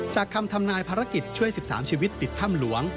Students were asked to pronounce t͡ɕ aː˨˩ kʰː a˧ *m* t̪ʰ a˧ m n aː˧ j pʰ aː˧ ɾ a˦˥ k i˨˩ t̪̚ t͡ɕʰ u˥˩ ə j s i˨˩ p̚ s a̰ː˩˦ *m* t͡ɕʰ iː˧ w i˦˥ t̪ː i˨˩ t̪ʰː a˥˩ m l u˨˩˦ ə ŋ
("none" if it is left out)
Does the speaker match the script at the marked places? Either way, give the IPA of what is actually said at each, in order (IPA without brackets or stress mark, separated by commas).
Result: m, m